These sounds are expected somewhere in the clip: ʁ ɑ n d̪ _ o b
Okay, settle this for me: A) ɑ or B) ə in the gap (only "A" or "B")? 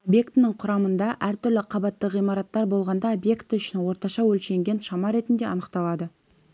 A